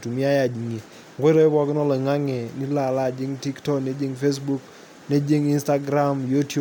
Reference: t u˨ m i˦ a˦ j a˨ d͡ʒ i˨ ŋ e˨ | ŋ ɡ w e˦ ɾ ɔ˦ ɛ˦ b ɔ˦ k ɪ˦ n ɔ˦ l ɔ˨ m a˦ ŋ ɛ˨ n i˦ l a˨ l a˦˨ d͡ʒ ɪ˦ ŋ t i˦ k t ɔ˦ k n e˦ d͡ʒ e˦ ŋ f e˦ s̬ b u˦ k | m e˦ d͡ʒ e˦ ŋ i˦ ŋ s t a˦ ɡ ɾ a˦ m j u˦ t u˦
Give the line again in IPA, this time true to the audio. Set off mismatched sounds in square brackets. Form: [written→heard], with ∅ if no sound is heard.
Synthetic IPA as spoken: t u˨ m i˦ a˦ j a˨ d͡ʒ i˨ ŋ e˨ | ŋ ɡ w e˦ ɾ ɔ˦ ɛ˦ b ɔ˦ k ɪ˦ n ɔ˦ l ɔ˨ [m→ŋ] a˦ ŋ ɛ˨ n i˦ l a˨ l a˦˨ d͡ʒ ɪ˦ ŋ t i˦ k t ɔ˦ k n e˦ d͡ʒ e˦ ŋ f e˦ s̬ b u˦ k | [m→n] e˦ d͡ʒ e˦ ŋ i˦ [ŋ→n] s t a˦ ɡ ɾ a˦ m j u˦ t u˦